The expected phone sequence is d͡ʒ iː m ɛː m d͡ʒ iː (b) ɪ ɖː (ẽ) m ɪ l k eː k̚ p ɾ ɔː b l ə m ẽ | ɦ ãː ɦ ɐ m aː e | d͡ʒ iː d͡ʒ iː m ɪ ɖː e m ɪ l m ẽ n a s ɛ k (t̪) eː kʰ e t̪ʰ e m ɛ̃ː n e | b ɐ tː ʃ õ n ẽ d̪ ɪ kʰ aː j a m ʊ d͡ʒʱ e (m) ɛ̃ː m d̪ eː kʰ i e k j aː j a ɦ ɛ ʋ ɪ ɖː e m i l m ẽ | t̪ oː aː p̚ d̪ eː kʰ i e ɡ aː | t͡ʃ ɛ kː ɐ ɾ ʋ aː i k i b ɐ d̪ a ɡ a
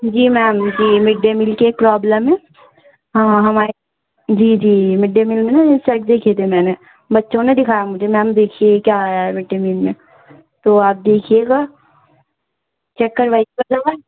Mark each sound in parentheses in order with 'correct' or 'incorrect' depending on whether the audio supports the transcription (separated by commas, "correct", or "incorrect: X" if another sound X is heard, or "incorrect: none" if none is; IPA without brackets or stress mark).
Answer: incorrect: m, incorrect: e, incorrect: d̪, correct